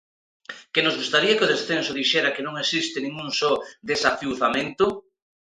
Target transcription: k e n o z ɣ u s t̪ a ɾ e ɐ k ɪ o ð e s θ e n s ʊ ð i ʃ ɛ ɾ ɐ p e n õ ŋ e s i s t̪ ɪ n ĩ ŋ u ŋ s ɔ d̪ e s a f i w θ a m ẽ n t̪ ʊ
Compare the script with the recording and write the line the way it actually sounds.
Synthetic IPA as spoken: k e n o z ɣ u s t̪ a ɾ i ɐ k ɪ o ð e s θ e n s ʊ ð i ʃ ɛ ɾ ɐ k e n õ ŋ e s i s t̪ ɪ n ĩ ŋ u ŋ s ɔ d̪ e s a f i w θ a m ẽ n t̪ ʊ